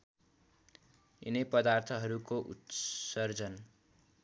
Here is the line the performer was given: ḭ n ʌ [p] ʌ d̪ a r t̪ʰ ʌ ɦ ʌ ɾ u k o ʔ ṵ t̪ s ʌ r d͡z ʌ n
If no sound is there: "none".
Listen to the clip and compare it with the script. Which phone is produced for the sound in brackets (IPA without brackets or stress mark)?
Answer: p